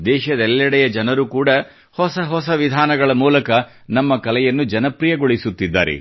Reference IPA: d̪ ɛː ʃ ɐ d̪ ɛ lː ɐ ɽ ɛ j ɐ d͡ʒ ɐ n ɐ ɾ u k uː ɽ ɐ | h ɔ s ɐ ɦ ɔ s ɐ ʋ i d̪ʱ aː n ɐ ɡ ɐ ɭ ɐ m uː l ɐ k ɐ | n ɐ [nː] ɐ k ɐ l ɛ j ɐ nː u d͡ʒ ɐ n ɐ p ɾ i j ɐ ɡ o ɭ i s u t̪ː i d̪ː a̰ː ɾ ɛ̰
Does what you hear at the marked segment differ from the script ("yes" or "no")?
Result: yes